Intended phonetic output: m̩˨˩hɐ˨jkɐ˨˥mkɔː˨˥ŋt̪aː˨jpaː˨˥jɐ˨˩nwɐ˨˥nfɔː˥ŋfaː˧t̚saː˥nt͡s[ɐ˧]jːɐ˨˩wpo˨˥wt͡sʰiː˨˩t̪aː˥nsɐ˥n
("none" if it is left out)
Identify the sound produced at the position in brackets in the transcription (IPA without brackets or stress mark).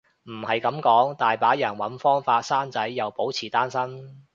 ɐ˨˥